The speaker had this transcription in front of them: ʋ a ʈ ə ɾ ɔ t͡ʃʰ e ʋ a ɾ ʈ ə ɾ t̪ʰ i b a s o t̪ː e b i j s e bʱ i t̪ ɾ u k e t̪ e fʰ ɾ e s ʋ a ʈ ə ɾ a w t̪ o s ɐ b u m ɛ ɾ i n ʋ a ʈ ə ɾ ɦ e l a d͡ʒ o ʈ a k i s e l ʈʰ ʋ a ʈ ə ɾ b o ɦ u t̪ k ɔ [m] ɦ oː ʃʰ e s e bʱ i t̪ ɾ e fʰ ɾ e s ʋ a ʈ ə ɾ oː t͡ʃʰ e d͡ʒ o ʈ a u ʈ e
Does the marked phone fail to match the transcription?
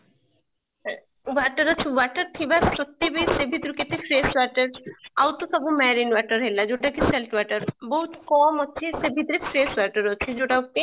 no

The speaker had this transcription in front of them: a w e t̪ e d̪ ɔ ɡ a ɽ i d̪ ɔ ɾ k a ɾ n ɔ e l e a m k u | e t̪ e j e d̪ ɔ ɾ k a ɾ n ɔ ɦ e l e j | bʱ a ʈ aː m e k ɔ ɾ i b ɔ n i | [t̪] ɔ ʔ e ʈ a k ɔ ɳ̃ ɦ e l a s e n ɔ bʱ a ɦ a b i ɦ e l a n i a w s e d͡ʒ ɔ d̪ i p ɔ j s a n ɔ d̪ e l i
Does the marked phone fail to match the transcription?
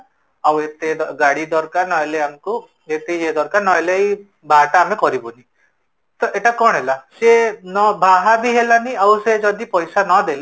no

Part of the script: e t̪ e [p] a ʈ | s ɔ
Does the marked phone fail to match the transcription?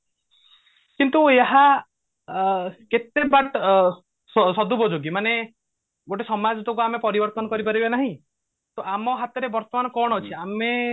yes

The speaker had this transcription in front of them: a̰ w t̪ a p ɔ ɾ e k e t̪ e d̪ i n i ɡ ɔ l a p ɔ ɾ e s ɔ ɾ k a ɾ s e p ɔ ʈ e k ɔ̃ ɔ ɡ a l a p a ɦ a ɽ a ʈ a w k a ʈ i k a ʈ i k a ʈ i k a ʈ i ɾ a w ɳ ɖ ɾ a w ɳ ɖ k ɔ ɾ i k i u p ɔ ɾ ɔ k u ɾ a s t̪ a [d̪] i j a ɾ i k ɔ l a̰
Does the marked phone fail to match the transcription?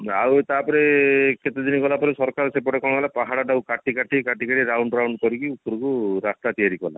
yes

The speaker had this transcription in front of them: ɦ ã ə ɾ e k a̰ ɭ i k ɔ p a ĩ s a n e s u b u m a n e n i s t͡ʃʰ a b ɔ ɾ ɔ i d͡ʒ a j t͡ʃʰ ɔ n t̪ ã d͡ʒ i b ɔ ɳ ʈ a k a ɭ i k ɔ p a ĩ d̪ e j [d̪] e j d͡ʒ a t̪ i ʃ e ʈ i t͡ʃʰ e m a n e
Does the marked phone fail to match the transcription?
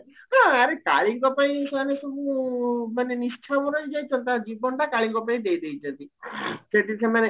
no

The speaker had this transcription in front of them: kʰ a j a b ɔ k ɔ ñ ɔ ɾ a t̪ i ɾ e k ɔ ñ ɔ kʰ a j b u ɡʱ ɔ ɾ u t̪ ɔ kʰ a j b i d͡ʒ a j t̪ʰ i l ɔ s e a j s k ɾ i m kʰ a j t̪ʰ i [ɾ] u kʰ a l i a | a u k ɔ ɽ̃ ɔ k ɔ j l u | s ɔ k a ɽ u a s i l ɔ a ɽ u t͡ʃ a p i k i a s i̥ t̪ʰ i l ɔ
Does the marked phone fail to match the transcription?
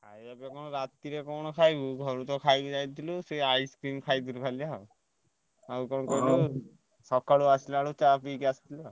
yes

